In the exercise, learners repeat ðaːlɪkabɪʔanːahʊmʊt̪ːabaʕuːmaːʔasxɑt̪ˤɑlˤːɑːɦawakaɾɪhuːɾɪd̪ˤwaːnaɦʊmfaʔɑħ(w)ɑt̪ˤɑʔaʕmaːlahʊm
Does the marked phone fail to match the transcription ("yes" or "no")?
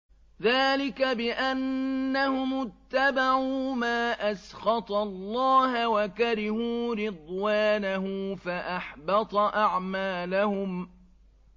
yes